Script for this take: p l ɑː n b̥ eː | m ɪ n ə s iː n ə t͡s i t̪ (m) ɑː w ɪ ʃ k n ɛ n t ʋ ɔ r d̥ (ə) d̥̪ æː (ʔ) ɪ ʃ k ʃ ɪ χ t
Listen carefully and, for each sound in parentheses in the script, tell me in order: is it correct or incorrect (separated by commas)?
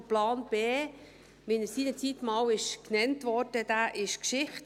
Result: correct, correct, correct